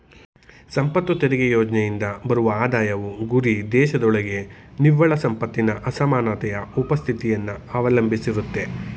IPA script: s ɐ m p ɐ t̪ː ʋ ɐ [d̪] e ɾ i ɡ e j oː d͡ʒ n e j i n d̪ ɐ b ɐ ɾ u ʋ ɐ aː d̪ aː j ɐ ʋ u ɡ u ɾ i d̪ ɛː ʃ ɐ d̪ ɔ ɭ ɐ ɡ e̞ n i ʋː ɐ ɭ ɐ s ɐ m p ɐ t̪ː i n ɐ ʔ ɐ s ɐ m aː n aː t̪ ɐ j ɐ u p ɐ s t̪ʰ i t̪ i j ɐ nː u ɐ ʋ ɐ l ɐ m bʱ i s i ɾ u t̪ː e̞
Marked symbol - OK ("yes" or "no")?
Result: no